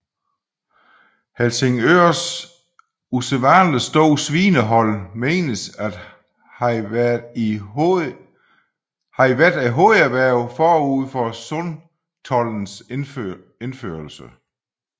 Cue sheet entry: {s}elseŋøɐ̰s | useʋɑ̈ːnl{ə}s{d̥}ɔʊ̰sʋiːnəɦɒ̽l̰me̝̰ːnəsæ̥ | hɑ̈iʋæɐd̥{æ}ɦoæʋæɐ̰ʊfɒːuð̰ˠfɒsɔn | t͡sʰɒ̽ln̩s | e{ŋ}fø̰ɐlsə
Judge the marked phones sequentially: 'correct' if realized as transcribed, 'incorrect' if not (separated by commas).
incorrect, correct, correct, correct, incorrect